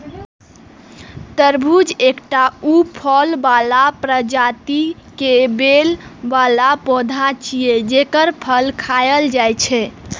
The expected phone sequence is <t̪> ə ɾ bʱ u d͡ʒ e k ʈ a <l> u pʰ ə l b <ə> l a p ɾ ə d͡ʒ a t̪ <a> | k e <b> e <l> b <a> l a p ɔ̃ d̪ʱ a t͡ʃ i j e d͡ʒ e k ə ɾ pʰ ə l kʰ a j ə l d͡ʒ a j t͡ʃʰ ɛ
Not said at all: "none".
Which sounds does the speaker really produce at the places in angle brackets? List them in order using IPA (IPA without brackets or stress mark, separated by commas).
t̪, none, a, i, b, l, a